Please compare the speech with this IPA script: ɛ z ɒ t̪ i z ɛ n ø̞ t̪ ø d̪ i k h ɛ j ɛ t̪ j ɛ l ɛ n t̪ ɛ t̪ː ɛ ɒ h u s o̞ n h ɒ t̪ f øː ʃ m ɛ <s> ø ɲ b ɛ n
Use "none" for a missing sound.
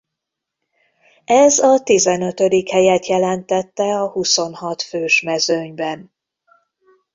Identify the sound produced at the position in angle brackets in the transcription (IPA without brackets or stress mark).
z